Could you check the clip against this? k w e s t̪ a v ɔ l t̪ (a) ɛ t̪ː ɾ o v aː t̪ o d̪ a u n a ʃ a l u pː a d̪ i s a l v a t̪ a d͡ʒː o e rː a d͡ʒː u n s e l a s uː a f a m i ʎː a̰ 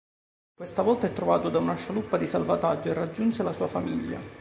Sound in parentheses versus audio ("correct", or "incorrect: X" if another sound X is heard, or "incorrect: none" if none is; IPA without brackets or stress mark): correct